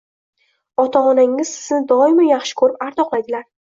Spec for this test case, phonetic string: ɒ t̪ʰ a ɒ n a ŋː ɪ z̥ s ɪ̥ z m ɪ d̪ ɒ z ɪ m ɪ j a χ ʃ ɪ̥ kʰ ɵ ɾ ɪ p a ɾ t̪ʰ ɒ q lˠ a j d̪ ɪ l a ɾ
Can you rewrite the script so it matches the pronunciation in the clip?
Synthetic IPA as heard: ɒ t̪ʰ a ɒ n a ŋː ɪ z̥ s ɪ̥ z n ɪ d̪ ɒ ɪ m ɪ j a χ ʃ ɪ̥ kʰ ɵ ɾ ɪ p a ɾ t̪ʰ ɒ q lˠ a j d̪ ɪ l a ɾ